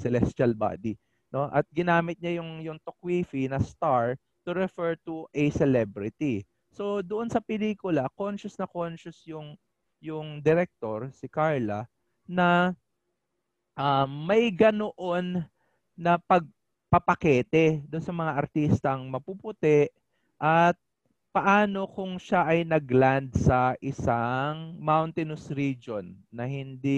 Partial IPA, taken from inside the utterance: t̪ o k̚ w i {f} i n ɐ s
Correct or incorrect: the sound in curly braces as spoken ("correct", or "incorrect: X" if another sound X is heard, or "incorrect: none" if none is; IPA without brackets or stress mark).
correct